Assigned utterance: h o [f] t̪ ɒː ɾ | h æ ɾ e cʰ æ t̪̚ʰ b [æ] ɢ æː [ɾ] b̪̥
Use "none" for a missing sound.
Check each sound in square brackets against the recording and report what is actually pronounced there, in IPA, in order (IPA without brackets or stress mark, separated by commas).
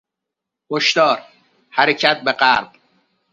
ʃ, e, ɾ